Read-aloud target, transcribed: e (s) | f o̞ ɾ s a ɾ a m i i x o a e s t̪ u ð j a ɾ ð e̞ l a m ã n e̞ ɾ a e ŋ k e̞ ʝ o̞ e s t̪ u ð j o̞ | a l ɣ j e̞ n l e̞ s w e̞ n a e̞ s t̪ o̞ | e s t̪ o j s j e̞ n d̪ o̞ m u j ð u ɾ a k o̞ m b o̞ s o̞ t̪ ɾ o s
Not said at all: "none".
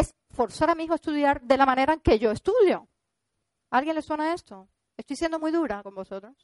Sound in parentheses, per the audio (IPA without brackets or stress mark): s